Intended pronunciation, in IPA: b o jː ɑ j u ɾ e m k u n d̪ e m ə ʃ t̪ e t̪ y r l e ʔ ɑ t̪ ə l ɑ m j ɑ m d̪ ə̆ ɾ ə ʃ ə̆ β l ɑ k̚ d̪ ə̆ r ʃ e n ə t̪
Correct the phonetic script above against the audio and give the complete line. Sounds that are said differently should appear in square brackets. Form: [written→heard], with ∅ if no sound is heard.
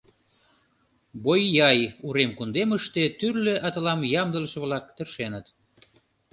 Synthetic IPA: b o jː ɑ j u ɾ e m k u n d̪ e m ə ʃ t̪ e t̪ y r l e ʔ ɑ t̪ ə l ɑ m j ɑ m d̪ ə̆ [ɾ→l] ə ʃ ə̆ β l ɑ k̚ [d̪→t̪] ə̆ r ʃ e n ə t̪